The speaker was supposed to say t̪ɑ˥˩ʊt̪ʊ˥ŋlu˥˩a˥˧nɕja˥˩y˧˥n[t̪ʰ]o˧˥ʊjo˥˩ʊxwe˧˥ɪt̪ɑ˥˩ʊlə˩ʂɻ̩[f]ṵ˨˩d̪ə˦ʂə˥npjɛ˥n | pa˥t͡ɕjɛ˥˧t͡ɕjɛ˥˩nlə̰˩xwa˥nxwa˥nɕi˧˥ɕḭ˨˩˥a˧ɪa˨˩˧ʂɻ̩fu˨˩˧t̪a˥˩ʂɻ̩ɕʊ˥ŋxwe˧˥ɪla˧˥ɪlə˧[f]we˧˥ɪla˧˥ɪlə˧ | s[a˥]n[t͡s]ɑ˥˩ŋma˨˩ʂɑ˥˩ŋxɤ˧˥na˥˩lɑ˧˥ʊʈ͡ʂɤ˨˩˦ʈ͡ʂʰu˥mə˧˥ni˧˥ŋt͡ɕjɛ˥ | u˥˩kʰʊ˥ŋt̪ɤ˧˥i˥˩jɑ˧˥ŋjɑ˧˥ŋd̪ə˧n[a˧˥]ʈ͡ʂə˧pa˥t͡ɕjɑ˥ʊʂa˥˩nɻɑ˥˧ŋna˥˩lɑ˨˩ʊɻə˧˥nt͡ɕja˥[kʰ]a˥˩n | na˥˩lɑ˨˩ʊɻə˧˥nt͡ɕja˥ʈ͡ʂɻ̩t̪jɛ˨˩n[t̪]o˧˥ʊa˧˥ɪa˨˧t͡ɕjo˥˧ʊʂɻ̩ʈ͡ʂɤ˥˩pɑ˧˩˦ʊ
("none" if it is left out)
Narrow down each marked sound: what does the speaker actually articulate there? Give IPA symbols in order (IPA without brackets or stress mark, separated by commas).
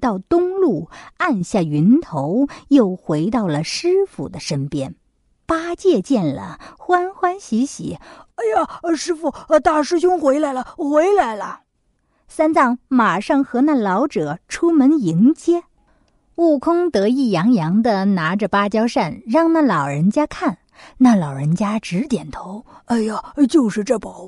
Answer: t̪ʰ, f, x, a˥, t͡s, a˧˥, kʰ, t̪ʰ